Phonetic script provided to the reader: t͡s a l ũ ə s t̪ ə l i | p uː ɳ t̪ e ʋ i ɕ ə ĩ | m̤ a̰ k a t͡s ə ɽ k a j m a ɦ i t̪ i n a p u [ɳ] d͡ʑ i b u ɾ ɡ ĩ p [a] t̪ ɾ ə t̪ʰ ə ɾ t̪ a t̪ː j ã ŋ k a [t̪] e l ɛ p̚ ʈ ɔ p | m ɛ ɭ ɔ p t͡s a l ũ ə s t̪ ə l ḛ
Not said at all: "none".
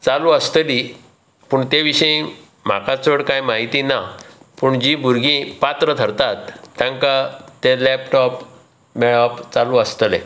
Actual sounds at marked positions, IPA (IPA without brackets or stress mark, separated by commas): ɳ, a, t̪